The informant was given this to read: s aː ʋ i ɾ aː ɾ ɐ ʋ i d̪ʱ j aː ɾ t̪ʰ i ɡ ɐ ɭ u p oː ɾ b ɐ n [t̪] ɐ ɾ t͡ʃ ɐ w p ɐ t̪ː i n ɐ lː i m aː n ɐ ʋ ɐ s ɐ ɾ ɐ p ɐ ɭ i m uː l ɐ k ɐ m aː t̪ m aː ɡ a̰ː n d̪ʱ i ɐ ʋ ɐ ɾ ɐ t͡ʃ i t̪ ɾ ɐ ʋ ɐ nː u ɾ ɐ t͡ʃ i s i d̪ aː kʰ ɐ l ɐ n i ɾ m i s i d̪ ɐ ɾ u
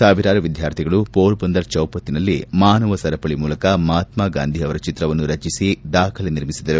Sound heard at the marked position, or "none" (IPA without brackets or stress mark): d̪